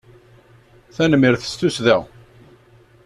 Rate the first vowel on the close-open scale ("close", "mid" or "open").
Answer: open